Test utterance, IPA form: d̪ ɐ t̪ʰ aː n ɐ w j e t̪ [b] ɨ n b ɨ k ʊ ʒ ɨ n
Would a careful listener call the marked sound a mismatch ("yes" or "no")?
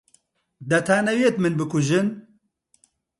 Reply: yes